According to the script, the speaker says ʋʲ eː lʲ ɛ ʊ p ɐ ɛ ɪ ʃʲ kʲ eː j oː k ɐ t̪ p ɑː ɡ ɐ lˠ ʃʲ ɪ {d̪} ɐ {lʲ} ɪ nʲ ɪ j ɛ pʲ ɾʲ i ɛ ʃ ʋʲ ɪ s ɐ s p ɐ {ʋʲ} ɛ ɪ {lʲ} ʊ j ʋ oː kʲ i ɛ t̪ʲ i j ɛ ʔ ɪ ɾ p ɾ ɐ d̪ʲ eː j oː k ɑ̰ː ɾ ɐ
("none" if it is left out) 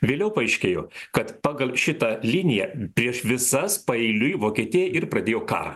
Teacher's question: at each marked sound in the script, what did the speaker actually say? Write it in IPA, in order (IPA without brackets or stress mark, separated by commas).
t̪, lʲ, none, lʲ